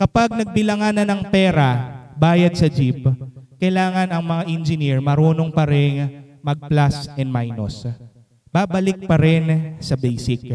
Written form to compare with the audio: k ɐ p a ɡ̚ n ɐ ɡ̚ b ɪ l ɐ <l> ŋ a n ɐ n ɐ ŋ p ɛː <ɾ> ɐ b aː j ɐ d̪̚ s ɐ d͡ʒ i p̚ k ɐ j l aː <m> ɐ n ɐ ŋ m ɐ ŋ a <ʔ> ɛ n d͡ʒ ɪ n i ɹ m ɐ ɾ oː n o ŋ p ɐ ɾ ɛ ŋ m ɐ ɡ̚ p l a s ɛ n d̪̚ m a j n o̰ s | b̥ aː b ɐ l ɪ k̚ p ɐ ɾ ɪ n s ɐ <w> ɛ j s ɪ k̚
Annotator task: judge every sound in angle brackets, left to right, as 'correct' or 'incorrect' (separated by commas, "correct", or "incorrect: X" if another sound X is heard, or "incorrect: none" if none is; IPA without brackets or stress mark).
incorrect: none, correct, incorrect: ŋ, correct, incorrect: b